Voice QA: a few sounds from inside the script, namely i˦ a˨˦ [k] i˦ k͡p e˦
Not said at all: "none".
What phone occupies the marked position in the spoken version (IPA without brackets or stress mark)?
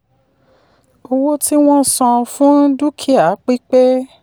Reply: k͡p